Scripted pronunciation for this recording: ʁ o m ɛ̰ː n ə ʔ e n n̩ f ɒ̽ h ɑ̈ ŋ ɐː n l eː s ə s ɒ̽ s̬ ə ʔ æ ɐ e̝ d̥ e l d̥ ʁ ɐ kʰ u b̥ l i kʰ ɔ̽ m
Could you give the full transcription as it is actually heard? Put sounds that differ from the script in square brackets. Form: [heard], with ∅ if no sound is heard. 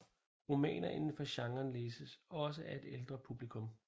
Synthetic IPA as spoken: ʁ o m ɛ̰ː n [ɐ] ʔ e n n̩ f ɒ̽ [ɕ] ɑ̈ ŋ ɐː n l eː s ə s ɒ̽ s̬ ə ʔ æ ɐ e̝ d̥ e l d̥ ʁ ɐ [pʰ] u b̥ l i kʰ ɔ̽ m